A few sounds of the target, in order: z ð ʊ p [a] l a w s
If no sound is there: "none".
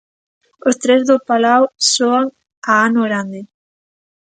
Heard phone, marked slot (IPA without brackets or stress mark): a